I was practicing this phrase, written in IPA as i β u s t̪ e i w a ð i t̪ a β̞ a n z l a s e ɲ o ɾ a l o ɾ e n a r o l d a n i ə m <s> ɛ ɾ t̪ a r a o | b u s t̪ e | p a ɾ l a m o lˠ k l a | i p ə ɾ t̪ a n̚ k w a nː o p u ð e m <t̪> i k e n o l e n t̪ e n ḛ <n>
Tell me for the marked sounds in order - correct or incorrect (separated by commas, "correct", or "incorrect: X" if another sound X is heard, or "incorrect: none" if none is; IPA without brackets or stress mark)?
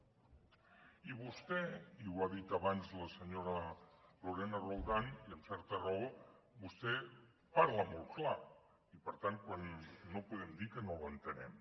correct, incorrect: d̪, incorrect: m